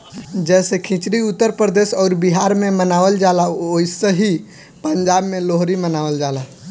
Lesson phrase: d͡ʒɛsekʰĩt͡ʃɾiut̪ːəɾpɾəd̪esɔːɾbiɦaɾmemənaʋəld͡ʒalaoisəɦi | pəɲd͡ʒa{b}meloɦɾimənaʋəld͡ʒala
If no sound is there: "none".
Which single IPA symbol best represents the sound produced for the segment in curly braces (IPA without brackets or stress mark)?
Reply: b